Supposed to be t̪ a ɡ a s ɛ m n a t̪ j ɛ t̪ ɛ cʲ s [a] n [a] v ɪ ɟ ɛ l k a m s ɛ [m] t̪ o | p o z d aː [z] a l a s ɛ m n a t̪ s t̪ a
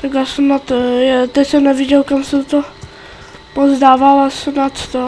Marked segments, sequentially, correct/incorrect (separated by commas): incorrect, incorrect, incorrect, incorrect